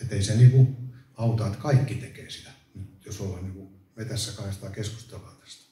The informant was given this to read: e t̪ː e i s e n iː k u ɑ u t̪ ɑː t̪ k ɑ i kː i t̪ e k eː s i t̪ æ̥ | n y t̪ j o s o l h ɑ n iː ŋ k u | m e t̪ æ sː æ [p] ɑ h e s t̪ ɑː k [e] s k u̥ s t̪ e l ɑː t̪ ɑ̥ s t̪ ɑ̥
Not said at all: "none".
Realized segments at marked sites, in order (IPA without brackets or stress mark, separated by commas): k, e